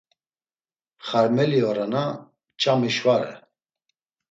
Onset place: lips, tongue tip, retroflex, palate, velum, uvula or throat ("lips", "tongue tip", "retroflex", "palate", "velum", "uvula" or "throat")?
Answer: uvula